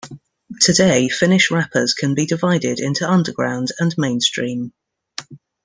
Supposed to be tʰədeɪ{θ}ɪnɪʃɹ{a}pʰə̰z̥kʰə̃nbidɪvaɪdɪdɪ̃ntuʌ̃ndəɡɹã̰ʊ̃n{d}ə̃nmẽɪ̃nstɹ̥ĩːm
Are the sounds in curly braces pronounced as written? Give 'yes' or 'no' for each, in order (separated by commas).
no, yes, yes